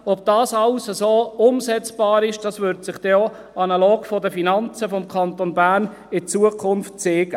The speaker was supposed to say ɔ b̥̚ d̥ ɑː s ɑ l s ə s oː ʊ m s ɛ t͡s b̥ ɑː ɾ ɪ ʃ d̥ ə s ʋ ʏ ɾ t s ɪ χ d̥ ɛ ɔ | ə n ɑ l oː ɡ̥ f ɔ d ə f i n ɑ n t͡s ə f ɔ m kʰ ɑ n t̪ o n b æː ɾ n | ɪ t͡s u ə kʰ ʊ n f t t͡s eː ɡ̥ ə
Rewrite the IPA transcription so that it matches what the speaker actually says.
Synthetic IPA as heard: ɔ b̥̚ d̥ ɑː s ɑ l s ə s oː ʊ m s ɛ t͡s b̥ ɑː ɾ ɪ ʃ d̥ ɑ s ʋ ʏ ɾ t s ɪ χ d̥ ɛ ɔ | ɑ n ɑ l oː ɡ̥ f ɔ d ə f i n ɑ n t͡s ə f ɔ m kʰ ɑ n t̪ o n b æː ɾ n | ɪ t͡s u ə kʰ ʊ n f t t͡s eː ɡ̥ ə